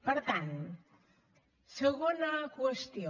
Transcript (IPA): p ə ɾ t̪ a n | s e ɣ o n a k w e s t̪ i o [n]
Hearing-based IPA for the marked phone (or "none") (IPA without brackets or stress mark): none